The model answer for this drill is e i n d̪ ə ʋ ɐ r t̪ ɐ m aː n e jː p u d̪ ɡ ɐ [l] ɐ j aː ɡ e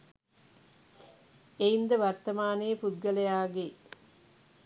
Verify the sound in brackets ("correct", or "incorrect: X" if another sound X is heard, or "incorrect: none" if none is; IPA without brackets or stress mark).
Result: correct